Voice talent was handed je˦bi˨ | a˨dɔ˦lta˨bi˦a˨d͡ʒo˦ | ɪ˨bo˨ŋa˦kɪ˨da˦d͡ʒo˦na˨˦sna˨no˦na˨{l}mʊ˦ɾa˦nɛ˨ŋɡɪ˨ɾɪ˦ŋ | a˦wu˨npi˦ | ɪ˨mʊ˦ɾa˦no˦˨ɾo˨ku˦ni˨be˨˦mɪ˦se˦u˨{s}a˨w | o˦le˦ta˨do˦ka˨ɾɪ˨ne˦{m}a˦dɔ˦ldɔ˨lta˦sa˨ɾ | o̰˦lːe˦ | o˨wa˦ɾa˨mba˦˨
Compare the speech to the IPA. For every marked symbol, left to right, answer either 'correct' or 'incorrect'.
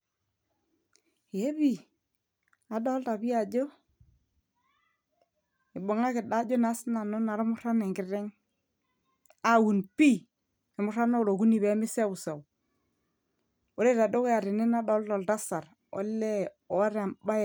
incorrect, correct, incorrect

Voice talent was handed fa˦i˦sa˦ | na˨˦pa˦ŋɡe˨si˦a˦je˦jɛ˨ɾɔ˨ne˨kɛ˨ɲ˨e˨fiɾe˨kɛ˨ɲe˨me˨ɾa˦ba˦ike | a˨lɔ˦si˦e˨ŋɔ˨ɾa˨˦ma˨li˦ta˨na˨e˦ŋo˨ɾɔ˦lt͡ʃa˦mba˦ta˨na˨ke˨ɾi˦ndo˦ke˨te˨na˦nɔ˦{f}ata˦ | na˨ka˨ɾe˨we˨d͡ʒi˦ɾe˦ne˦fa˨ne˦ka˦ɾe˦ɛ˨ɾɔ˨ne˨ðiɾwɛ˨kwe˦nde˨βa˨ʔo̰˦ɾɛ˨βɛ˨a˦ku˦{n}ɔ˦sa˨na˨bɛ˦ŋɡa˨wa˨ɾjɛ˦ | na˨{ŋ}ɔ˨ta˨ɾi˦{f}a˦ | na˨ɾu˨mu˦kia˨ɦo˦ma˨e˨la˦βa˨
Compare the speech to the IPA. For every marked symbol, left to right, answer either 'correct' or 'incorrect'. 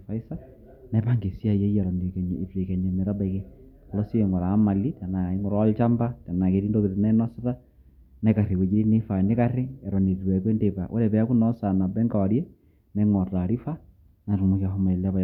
incorrect, correct, correct, correct

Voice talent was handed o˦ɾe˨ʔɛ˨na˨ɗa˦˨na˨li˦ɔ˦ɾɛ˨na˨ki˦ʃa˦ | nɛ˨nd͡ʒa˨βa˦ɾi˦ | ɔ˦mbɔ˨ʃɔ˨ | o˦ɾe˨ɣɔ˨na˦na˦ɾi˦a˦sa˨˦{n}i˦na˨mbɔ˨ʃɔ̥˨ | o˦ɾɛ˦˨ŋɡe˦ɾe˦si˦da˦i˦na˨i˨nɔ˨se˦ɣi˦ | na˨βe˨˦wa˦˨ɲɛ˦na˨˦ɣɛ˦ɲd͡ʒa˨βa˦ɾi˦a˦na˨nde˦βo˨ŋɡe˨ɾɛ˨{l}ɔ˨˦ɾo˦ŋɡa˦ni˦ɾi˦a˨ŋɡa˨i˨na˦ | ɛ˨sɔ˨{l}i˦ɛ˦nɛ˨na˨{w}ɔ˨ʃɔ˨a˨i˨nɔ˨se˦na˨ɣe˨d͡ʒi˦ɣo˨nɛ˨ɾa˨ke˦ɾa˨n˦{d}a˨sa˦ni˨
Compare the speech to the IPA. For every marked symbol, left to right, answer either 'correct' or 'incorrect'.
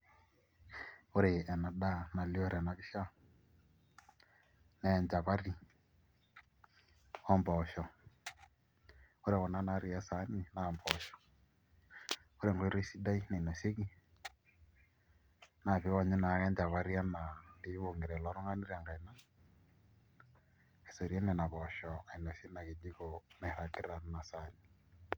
correct, correct, incorrect, incorrect, incorrect

